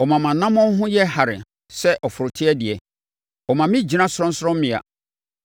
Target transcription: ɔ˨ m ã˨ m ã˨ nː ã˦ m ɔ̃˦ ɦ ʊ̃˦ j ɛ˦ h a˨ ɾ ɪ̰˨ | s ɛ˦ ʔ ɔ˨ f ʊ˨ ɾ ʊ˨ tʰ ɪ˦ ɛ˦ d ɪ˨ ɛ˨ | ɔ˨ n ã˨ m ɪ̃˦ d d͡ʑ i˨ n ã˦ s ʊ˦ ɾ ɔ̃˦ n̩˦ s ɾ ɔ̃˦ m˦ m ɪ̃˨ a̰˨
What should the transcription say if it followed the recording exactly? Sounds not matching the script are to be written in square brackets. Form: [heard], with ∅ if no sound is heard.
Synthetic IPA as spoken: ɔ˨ m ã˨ m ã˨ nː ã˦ m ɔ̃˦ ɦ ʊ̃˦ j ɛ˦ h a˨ ɾ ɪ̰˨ | s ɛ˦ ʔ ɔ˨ f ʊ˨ ɾ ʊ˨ tʰ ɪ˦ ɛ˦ d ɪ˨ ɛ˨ | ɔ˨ [m] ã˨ m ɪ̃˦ [∅] d͡ʑ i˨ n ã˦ s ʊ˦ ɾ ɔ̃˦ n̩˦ s ɾ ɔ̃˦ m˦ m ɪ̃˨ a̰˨